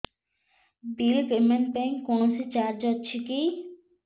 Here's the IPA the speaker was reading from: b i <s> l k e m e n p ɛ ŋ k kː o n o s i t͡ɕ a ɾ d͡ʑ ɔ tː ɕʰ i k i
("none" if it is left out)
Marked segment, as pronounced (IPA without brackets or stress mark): none